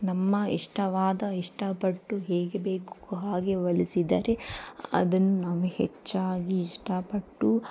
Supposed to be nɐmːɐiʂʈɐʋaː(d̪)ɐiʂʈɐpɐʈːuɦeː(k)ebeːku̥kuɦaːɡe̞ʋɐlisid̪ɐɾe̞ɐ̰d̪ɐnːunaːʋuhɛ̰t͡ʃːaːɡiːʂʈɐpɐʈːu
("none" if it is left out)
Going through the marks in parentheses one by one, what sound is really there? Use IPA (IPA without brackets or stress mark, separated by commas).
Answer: d̪, ɡ